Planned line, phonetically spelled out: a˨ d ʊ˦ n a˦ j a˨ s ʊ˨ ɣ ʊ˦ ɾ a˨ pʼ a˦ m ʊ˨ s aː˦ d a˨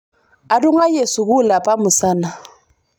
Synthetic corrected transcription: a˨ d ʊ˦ ŋ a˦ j e˨ s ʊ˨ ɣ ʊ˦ l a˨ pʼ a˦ m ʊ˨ s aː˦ n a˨